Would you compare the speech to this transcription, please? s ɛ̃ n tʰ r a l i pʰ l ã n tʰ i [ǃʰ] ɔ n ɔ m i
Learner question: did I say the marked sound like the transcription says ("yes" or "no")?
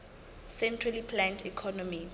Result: no